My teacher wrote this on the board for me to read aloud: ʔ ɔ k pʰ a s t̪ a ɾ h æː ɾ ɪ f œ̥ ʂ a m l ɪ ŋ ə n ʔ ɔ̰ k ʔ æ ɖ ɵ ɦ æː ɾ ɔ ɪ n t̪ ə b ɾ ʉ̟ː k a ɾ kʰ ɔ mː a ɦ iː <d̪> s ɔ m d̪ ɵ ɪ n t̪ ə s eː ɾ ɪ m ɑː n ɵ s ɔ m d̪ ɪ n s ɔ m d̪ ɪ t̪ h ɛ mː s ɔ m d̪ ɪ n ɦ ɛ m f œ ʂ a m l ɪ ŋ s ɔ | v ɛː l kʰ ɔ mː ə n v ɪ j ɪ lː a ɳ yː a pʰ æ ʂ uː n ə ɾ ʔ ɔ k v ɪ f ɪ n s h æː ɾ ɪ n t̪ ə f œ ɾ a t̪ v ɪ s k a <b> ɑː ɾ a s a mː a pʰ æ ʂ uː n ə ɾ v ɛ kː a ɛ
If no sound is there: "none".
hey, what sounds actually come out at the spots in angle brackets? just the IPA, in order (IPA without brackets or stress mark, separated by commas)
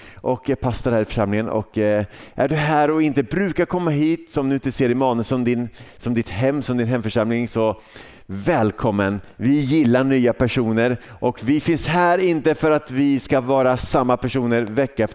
t̪, v